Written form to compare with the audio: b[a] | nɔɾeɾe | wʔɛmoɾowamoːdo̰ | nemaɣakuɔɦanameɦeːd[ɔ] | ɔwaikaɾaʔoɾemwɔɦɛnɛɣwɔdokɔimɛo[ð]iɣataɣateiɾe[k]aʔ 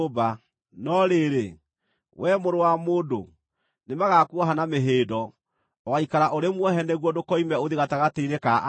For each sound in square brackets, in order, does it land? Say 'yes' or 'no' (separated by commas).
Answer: yes, yes, yes, yes